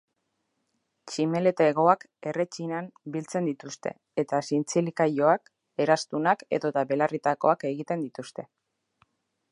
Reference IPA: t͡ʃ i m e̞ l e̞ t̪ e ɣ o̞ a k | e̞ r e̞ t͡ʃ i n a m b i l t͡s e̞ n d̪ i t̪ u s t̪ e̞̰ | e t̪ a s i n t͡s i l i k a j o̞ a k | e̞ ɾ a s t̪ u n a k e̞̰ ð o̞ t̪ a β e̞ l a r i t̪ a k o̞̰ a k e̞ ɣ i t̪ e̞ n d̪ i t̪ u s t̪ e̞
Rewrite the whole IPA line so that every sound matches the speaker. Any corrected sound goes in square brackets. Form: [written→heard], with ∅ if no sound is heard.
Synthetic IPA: t͡ʃ i m e̞ l e̞ t̪ e ɣ o̞ a k | e̞ r e̞ t͡ʃ i n a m b i l t͡s e̞ n d̪ i t̪ u s t̪ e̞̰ | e t̪ a s i n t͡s i l i k a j o̞ a k | e̞ ɾ a s t̪ u n a k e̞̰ ð o̞ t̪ a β e̞ l a r i t̪ a k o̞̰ a k e̞ ɣ i t̪ e̞ n d̪ i t̪ u s t̪ e̞